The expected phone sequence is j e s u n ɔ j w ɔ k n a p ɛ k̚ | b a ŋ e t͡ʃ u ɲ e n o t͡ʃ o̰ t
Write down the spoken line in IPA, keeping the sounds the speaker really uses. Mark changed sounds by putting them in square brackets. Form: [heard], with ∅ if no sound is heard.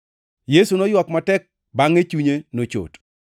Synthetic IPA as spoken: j e s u n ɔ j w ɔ k [m] a [t] ɛ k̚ | b a ŋ e t͡ʃ u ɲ e n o t͡ʃ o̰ t